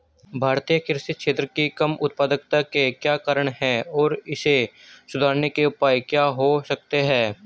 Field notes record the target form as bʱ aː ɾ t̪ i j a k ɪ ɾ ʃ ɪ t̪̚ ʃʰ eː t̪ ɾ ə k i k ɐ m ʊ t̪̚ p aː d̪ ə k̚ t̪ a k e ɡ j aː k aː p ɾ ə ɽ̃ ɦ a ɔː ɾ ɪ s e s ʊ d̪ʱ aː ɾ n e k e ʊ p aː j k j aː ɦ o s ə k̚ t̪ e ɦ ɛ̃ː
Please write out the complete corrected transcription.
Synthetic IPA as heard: bʱ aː ɾ t̪ i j ə k ɪ ɾ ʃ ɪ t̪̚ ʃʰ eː t̪ ɾ ə k i k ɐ m ʊ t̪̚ p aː d̪ ə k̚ t̪ a k e k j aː k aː ɾ ə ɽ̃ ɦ ɛ ɔː ɾ ɪ s e s ʊ d̪ʱ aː ɾ n e k e ʊ p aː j k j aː ɦ o s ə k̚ t̪ e ɦ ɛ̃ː